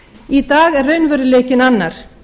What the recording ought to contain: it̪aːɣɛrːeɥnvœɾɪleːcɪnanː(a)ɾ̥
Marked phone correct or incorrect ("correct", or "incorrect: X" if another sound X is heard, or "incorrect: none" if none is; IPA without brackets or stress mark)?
correct